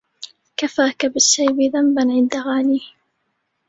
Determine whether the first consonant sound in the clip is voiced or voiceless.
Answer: voiceless